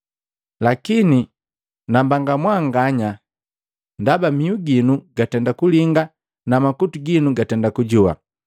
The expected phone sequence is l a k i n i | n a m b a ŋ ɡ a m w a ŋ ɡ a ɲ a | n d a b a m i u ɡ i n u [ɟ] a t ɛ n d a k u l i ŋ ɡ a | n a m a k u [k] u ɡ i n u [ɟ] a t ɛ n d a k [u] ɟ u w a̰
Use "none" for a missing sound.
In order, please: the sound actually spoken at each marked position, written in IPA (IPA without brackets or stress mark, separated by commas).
ɡ, t, ɡ, u